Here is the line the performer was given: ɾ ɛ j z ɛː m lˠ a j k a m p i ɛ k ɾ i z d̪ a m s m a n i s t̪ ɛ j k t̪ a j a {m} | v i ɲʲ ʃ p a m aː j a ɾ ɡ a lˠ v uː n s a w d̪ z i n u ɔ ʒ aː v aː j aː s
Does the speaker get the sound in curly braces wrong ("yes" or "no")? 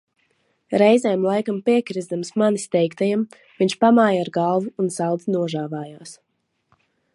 no